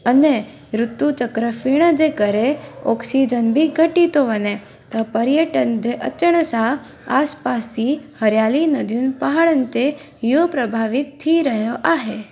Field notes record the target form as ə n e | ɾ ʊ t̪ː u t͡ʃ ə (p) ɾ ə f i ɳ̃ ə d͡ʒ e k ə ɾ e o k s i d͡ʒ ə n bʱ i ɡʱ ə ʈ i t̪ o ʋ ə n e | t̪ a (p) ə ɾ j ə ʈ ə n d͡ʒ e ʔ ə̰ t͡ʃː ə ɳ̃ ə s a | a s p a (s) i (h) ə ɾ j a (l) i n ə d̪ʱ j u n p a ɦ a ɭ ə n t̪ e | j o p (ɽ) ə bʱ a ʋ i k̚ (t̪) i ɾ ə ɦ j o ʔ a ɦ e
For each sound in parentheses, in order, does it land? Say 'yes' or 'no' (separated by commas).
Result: no, yes, yes, yes, yes, no, no